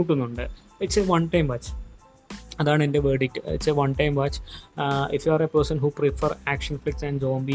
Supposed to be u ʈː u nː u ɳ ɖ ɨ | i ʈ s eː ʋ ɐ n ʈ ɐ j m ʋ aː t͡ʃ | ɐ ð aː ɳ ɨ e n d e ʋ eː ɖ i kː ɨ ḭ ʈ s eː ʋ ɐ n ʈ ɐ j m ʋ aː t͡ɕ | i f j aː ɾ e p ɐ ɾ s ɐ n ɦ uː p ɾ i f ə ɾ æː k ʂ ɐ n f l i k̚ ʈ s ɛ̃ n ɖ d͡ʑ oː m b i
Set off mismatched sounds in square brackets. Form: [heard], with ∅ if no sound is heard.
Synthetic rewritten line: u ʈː u nː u ɳ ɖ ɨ | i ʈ s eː ʋ ɐ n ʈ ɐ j m ʋ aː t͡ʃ | ɐ ð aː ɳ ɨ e n d e ʋ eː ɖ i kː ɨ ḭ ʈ s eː ʋ ɐ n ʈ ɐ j m ʋ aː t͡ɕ | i f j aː ɾ e p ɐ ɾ s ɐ n ɦ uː p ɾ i f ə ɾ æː k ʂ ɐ n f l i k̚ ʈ s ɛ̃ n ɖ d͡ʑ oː m b i